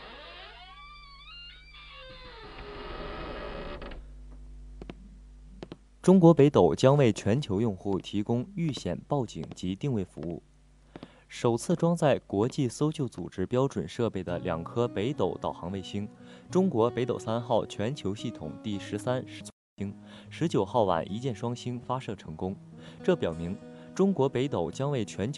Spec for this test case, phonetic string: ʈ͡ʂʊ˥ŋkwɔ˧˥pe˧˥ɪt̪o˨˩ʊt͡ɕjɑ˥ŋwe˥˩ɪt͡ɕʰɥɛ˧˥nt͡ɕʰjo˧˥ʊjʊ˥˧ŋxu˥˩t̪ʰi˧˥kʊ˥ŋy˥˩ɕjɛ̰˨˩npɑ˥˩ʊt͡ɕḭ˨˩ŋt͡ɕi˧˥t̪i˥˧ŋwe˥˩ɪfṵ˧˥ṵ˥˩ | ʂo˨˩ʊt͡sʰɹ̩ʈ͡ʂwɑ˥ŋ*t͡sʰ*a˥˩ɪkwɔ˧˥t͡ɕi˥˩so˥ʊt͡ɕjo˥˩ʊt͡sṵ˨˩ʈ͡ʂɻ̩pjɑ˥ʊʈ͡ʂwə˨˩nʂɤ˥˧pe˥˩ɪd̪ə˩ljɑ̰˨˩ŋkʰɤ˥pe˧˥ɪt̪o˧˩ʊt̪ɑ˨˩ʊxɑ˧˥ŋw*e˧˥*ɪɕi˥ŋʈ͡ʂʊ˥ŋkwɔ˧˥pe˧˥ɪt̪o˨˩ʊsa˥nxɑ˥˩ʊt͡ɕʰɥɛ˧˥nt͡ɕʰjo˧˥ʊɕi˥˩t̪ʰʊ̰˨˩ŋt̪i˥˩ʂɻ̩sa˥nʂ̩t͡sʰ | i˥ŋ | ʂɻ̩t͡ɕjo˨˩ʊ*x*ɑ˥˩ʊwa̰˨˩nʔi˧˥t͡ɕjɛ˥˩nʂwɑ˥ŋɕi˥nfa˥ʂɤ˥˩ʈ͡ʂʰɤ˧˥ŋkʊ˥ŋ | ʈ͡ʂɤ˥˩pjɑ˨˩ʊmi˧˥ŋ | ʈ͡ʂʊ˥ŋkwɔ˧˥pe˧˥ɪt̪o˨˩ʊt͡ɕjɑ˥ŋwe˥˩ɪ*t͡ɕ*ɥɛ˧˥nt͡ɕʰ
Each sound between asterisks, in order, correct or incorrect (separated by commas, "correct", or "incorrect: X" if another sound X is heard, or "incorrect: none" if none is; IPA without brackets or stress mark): incorrect: t͡s, incorrect: e˥˩, correct, incorrect: t͡ɕʰ